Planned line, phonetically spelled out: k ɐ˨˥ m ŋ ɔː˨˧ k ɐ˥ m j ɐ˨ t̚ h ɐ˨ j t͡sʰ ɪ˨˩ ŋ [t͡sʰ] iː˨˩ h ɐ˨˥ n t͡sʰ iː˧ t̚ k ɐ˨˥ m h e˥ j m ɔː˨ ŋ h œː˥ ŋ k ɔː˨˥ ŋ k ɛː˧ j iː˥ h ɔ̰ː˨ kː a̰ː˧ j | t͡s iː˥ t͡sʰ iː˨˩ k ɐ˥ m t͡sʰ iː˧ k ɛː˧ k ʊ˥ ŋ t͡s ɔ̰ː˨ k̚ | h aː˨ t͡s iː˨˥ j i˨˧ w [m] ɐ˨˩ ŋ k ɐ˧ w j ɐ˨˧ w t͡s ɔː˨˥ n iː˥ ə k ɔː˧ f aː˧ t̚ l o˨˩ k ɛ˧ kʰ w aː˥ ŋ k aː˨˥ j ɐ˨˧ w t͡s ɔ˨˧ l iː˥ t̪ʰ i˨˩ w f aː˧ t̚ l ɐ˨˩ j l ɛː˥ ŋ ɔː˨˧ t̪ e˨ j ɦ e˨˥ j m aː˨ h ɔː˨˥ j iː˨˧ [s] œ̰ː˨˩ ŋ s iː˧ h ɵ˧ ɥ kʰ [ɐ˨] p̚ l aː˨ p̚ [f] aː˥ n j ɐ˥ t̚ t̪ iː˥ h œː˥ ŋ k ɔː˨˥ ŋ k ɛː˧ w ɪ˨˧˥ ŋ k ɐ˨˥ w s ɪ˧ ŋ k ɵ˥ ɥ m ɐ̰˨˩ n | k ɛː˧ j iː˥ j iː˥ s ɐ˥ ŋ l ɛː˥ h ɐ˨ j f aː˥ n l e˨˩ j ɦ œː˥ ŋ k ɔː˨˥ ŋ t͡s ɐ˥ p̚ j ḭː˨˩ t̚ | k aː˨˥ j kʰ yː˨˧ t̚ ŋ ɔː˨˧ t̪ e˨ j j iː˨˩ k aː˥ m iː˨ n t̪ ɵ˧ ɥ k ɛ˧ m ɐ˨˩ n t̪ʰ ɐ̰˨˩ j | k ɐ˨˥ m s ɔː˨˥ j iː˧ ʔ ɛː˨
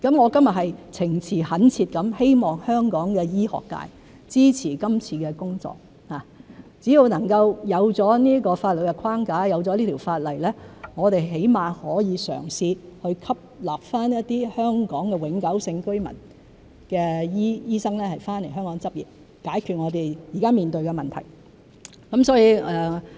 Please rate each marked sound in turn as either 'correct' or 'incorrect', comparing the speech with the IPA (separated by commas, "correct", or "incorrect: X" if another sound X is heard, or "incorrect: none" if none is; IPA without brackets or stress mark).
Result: correct, incorrect: n, correct, incorrect: ɐ˥, correct